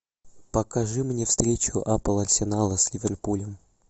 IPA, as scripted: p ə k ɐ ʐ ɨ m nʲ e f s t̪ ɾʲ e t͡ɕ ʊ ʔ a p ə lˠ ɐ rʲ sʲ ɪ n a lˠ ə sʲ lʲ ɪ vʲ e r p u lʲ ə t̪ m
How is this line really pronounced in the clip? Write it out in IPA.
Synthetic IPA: p ə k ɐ ʐ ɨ m nʲ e f s t̪ ɾʲ e t͡ɕ ʊ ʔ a p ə lˠ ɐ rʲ sʲ ɪ n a lˠ ə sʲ lʲ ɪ vʲ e r p u lʲ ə m